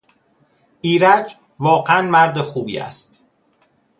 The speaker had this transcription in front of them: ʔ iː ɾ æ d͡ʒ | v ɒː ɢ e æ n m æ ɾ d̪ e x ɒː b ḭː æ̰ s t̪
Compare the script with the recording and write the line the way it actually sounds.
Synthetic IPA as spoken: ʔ iː ɾ æ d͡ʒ | v ɒː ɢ e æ n m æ ɾ d̪ e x uː b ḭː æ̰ s t̪